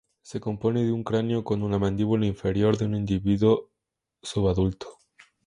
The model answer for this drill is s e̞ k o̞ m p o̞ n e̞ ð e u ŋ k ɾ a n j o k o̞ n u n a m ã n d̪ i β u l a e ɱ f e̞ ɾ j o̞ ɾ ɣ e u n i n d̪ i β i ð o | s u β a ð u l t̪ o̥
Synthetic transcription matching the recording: s e̞ k o̞ m p o̞ n e̞ ð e u ŋ k ɾ a n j o k o̞ n u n a m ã n d̪ i β u l a i ɱ f e̞ ɾ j o̞ ɾ ð e u n i n d̪ i β i ð o | s u β a ð u l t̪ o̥